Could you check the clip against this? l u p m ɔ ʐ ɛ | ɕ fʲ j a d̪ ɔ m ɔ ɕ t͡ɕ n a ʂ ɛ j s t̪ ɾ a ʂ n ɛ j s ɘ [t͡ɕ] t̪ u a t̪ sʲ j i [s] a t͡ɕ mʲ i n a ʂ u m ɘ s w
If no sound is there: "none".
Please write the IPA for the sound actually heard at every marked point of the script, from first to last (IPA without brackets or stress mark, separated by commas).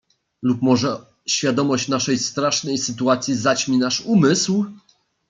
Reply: none, z